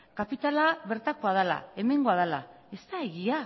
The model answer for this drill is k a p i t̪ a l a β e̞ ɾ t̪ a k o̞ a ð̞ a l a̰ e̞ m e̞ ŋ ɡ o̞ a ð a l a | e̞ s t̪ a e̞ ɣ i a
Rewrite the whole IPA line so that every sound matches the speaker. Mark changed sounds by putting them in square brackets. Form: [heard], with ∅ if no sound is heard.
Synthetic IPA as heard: k a p i t̪ a l a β e̞ ɾ t̪ a k o̞ a ð̞ a l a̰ e̞ m e̞ ŋ ɡ o̞ a ð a l a | e̞ s t̪ a e̞ ɣ i a